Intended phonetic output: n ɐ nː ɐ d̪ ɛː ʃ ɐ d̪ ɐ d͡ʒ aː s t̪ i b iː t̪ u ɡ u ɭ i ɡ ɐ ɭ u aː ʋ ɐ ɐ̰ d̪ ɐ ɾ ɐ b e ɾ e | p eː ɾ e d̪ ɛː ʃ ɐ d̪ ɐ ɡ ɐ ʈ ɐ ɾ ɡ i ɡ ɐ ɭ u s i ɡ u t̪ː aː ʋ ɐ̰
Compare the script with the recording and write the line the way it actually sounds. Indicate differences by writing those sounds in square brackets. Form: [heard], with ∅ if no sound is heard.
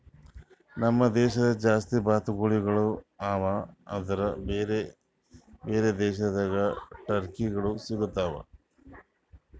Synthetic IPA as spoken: n ɐ [mː] ɐ d̪ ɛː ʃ ɐ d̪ ɐ d͡ʒ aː s t̪ i b [aː] t̪ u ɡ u ɭ i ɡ ɐ ɭ u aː ʋ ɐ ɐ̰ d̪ ɐ ɾ ɐ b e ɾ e | [b] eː ɾ e d̪ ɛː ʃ ɐ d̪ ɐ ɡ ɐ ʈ ɐ ɾ [k] i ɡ ɐ ɭ u s i ɡ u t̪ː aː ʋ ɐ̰